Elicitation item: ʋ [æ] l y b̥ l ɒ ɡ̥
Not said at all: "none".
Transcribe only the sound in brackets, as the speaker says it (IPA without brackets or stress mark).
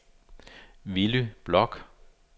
i